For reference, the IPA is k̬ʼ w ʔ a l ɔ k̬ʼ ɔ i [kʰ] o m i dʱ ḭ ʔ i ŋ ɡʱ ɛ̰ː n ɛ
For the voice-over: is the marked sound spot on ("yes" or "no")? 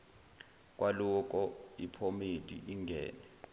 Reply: no